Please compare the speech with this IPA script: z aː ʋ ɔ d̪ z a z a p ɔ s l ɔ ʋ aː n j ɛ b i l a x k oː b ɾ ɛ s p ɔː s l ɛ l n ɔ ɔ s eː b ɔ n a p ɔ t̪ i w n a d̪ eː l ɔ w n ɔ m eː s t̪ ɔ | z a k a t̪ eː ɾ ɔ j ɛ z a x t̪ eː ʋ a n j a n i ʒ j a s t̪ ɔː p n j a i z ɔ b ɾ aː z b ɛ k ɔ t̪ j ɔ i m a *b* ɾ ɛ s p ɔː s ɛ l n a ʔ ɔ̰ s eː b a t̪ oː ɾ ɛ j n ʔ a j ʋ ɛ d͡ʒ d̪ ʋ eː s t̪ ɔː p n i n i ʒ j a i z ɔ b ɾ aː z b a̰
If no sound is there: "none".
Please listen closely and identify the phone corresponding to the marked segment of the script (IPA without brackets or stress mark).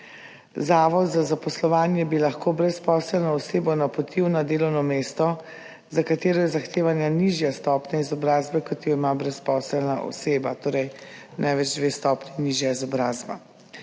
b